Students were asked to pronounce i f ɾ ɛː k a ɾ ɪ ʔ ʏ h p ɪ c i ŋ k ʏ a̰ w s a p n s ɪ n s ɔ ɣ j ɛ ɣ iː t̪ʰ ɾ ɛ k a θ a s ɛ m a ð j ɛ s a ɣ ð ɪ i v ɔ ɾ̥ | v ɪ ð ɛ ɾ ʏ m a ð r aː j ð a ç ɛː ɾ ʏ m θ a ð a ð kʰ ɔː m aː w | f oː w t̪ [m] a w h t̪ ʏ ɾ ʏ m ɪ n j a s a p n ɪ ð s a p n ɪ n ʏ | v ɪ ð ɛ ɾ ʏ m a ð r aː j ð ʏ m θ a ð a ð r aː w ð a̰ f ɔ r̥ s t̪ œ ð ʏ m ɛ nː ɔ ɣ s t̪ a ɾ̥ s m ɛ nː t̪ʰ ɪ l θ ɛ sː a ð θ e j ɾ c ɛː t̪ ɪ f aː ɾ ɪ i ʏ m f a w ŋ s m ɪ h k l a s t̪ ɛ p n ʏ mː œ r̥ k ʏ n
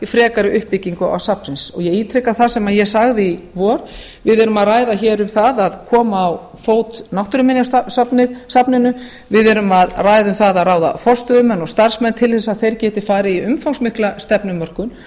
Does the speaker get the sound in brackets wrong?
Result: yes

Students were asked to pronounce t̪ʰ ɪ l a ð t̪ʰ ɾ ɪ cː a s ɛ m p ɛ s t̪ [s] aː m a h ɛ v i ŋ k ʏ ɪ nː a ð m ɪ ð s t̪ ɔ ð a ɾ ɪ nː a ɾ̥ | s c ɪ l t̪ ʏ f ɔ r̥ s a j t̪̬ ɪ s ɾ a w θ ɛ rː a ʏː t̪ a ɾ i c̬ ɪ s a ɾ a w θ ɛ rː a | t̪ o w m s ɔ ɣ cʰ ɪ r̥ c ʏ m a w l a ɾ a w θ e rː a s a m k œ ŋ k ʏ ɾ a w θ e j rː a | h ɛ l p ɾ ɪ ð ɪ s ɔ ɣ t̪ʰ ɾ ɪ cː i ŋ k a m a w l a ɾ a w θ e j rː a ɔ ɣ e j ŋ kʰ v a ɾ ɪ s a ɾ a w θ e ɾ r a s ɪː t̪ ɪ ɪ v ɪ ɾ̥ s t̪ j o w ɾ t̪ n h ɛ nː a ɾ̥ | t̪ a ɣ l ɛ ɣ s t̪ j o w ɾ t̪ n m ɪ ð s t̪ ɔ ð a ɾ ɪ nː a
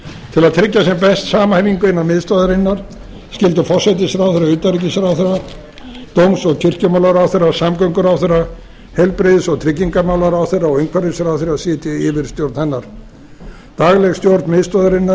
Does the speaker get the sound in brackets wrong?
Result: no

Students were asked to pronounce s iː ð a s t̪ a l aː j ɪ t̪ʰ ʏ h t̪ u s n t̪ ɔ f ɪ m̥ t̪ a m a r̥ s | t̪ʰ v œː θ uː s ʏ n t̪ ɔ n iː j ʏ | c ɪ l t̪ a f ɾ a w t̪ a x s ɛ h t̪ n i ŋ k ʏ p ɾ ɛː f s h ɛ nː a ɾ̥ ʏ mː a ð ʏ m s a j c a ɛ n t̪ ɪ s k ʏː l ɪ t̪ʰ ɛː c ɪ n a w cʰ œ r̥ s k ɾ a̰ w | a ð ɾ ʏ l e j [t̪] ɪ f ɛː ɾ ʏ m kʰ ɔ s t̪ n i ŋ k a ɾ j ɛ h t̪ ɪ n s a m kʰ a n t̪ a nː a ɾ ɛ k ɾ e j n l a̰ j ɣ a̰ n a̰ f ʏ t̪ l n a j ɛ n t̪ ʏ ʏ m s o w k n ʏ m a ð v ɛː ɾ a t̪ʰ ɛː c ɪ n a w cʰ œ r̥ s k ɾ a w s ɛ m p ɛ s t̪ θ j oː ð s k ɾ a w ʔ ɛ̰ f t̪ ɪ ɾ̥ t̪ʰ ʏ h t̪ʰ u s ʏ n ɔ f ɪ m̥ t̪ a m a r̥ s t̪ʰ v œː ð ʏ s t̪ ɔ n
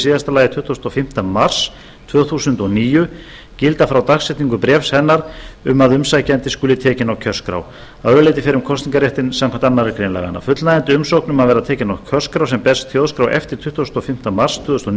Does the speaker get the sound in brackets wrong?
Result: no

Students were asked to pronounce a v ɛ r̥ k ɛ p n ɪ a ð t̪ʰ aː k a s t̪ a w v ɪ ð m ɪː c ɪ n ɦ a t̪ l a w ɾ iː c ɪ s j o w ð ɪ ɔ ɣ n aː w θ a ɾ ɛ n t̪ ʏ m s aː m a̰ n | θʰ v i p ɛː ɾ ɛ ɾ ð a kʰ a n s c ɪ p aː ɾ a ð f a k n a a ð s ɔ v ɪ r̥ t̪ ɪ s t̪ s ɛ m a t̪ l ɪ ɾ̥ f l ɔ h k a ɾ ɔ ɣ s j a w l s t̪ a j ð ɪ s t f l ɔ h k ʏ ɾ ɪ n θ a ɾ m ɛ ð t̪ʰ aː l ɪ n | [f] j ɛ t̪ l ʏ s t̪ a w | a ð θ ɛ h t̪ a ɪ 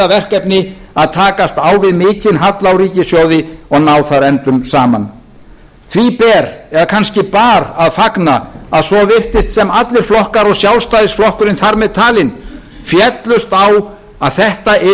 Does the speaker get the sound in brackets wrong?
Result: no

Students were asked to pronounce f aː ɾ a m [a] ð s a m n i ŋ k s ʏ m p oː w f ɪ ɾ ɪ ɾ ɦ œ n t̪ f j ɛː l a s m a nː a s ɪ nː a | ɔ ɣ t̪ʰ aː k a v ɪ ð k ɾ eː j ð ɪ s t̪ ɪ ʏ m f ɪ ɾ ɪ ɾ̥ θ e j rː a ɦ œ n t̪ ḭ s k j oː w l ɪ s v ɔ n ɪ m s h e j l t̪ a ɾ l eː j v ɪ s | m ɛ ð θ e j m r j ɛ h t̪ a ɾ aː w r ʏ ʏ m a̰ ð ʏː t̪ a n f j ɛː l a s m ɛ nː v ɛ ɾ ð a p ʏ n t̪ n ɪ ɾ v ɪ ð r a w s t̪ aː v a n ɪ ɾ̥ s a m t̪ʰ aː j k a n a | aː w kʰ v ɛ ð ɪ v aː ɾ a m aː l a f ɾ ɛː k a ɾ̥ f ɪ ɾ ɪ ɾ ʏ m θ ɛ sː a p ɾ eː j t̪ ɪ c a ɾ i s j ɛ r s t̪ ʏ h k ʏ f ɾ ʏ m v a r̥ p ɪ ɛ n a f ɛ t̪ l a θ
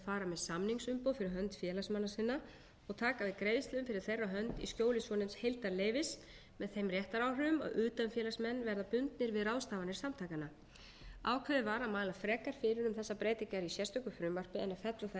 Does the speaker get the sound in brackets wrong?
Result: yes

